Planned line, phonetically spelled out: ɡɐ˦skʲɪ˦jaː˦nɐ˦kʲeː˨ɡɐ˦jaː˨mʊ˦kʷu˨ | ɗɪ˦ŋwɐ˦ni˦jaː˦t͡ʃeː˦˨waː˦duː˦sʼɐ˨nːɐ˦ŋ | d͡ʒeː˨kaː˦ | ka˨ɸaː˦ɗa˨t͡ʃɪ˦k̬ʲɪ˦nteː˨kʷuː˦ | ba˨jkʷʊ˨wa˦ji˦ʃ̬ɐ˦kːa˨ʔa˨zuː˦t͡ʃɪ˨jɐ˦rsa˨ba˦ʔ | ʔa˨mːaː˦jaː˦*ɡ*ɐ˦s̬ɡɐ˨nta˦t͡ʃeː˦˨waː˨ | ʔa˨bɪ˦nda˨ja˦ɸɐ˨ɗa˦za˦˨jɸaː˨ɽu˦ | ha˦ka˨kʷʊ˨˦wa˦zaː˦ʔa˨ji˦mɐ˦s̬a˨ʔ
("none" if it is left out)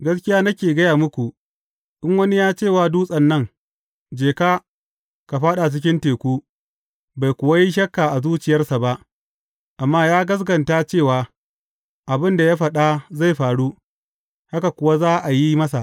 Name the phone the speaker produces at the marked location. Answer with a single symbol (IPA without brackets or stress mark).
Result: ɡ